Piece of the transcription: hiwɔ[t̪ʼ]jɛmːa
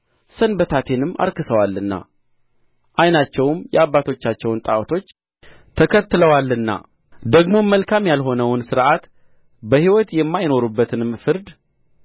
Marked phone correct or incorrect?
incorrect